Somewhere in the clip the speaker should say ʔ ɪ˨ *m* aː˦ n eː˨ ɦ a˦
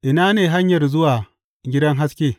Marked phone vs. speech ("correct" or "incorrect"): incorrect